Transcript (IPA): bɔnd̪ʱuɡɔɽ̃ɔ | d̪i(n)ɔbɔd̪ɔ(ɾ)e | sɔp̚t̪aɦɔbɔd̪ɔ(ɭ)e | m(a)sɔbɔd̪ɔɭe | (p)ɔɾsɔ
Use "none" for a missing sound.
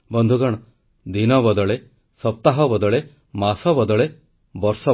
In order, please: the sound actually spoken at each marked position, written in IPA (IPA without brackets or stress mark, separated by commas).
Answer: n, ɭ, ɭ, a, b